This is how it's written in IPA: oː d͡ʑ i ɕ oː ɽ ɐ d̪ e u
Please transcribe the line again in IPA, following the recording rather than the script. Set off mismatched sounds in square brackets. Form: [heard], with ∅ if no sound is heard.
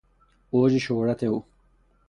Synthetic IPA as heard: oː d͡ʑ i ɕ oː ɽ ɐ [t̪] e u